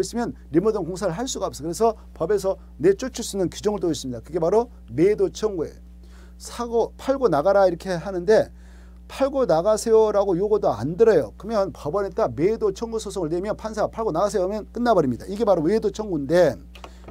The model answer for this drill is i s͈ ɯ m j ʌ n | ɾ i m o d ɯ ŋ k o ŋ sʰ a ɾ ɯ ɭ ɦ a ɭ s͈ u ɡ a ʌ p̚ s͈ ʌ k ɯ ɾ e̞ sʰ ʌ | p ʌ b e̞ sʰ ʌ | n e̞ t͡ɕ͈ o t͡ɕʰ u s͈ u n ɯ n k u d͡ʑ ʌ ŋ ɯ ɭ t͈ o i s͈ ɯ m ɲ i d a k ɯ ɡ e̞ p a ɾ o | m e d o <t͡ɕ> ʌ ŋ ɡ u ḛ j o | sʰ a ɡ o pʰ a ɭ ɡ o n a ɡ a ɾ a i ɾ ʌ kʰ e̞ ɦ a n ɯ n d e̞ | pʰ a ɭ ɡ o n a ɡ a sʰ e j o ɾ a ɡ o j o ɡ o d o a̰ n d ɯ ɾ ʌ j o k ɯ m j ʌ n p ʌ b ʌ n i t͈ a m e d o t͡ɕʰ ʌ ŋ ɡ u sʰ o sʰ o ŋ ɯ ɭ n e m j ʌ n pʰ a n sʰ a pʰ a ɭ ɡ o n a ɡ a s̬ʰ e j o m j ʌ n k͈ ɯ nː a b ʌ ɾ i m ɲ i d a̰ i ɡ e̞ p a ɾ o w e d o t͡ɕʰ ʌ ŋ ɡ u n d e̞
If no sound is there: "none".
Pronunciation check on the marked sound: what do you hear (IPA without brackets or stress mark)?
t͡ɕʰ